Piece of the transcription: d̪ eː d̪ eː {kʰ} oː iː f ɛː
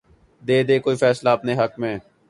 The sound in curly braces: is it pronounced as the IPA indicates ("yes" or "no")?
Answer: no